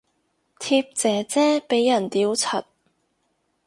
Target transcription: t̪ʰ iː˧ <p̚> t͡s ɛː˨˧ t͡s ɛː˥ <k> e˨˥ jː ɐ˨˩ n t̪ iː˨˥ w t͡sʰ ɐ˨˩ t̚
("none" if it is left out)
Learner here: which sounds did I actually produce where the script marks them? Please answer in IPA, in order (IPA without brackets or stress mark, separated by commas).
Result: p̚, p